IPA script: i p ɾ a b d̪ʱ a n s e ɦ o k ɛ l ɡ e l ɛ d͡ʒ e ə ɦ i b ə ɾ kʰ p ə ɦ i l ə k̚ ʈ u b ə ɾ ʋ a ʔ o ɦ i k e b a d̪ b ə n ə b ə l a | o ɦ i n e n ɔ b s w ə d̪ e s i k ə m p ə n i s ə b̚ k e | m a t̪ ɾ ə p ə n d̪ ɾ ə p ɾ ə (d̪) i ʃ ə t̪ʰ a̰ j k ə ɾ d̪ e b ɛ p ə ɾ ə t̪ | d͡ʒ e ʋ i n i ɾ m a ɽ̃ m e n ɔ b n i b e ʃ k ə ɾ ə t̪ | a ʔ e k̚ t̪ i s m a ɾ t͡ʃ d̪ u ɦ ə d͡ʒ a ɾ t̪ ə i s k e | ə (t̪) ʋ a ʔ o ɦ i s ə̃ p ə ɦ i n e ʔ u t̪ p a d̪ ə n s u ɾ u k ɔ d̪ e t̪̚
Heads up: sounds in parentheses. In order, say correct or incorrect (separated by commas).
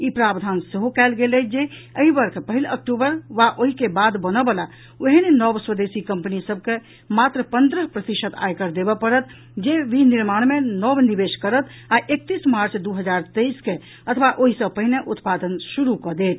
incorrect, incorrect